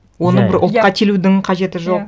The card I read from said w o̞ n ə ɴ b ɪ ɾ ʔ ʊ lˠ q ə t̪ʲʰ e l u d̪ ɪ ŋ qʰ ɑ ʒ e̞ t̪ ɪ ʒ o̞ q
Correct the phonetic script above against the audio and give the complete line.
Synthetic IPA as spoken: w o̞ n ə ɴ b ɪ ɾ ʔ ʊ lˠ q ɑ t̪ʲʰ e l u d̪ ɪ ŋ qʰ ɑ ʒ e̞ t̪ ɪ ʒ o̞ q